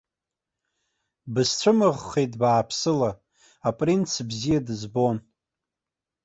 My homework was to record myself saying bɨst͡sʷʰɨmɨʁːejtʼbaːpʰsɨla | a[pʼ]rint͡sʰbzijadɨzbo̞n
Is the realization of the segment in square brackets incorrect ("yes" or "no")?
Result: no